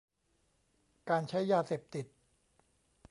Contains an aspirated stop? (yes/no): yes